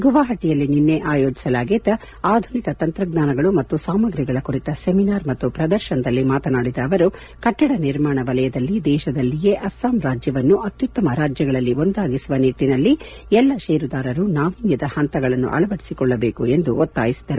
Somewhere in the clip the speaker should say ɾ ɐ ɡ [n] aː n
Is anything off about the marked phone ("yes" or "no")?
no